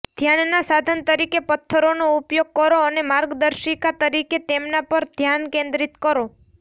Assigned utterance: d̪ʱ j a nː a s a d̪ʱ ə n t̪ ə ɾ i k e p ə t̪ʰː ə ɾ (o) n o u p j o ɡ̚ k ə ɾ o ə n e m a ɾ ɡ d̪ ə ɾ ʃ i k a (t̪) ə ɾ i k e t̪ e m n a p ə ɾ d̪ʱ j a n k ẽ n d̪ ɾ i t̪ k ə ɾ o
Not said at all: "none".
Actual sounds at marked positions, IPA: o, t̪

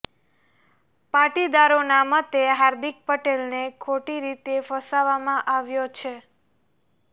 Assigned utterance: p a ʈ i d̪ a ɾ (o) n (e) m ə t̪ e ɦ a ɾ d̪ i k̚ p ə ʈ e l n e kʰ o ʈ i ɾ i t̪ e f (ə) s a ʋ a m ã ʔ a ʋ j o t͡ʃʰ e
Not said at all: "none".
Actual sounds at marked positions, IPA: o, a, ə

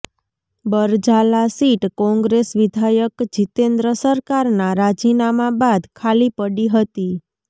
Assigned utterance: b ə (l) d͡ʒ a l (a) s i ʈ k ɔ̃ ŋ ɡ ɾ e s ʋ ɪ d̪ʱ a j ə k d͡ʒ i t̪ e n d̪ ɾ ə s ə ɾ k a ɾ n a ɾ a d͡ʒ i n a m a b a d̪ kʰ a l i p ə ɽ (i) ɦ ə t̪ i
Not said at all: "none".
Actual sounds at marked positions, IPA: ɾ, a, i

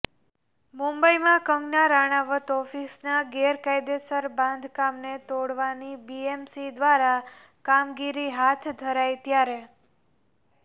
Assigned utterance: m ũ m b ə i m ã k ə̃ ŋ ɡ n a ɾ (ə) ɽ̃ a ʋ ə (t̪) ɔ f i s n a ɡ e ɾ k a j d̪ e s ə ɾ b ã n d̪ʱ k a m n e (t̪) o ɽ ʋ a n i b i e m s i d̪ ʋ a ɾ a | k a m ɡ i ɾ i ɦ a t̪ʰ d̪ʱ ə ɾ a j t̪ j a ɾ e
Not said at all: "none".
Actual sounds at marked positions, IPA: a, t̪, t̪

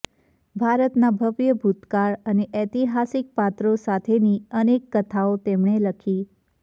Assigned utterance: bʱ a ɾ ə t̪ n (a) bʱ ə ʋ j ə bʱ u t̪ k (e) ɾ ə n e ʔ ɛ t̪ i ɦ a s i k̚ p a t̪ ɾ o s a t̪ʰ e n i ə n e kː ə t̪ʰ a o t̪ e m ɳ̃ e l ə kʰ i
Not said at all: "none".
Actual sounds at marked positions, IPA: a, a

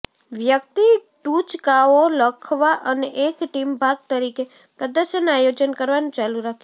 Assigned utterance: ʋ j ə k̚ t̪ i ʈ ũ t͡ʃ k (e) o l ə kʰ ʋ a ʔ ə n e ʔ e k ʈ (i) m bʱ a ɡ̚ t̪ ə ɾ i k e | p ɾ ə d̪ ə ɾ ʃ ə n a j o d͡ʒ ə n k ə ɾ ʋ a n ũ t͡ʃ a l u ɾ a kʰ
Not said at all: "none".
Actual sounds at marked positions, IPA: a, i

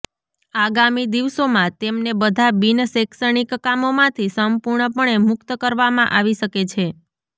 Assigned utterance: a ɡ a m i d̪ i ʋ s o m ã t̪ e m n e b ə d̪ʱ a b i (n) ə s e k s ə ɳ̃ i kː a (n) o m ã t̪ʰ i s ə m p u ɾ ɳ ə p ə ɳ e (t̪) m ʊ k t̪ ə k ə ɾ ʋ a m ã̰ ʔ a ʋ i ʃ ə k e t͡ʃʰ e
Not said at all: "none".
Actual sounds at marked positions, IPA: n, m, none

